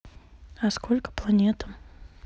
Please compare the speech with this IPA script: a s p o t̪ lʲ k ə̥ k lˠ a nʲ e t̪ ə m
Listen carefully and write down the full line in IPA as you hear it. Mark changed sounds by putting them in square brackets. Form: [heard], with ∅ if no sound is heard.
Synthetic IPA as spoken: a s [k] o [∅] lʲ k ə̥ [p] lˠ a nʲ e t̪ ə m

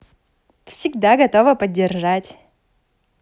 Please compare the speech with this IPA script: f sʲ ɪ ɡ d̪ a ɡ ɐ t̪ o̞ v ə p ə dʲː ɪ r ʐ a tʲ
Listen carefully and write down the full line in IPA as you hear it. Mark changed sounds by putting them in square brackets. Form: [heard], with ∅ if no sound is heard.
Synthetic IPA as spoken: f sʲ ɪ ɡ d̪ a ɡ ɐ t̪ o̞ v ə p ə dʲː ɪ r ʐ a tʲ

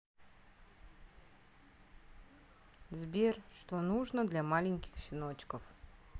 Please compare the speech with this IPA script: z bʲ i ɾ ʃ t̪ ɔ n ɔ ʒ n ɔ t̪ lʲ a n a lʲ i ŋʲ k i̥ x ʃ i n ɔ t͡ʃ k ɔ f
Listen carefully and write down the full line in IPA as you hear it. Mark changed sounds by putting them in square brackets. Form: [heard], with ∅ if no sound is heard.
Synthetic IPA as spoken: z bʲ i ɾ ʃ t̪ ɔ n [u] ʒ n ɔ [d̪] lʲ a [m] a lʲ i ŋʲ k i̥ x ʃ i n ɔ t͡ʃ k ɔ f

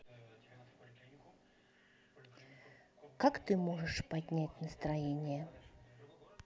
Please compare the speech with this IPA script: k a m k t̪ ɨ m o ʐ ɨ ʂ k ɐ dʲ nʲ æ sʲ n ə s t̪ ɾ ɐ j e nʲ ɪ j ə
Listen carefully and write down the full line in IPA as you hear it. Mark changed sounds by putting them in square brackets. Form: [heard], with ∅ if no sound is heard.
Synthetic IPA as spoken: k a [∅] k t̪ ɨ m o ʐ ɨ ʂ [p] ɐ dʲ nʲ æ [tʲ] n ə s t̪ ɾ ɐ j e nʲ ɪ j ə

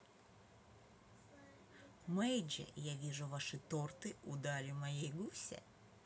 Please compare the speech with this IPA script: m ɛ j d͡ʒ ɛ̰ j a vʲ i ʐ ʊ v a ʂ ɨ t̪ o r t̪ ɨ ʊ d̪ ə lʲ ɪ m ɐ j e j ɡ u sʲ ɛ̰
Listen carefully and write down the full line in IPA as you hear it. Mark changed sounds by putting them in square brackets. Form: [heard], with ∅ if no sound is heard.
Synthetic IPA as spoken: m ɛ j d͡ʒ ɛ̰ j a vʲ i ʐ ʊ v a ʂ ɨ t̪ o r t̪ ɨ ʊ d̪ [a] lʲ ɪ m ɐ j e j ɡ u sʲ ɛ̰

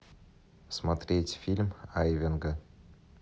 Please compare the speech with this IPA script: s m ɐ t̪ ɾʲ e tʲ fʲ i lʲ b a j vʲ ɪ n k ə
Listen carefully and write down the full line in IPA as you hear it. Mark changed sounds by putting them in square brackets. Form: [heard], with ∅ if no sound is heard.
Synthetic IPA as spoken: s m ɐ t̪ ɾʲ e tʲ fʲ i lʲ [m] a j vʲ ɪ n [ɡ] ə

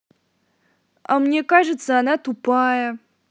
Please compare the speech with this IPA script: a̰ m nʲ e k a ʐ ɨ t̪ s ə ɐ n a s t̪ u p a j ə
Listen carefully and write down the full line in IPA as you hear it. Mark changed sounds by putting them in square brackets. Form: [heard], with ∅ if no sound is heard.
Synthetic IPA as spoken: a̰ m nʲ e k a ʐ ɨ t̪ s ə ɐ n a [∅] t̪ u p a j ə

